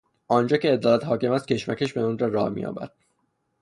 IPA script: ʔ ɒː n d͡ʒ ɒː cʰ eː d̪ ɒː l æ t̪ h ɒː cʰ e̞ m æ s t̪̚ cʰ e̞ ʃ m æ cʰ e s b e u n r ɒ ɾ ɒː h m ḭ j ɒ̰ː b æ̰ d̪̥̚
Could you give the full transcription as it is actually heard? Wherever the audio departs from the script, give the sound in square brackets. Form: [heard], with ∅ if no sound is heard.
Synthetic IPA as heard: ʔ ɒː n d͡ʒ ɒː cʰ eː d̪ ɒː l æ t̪ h ɒː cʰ e̞ m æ s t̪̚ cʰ e̞ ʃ m æ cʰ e [ʃ] b e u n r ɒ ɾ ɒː h m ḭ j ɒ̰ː b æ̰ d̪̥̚